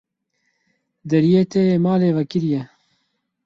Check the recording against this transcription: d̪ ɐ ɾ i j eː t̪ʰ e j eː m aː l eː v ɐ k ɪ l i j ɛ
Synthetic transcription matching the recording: d̪ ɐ ɾ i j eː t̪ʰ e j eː m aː l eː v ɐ k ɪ ɾ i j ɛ